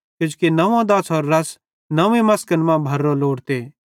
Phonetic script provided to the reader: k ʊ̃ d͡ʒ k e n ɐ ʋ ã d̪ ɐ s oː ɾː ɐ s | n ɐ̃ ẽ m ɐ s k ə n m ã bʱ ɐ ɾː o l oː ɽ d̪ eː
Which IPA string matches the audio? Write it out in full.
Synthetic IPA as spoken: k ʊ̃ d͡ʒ k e n ɐ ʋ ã d̪ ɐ s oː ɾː ɐ s | n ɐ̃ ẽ m ɐ s k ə n m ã bʱ ɐ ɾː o l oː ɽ t̪ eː